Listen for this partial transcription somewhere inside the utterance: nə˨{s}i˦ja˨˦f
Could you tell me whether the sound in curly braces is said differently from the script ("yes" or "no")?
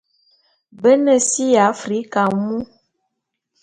no